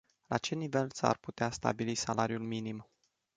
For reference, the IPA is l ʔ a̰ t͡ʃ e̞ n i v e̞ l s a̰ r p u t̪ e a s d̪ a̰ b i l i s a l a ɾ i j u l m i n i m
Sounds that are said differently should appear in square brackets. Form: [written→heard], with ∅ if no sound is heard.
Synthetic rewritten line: l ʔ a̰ t͡ʃ e̞ n i v e̞ l s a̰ r p u t̪ e a s [d̪→t̪] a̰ b i l i s a l a ɾ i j u l m i n i m